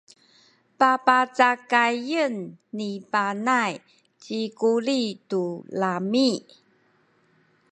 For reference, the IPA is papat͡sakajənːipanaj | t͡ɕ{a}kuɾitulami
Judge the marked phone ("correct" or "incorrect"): incorrect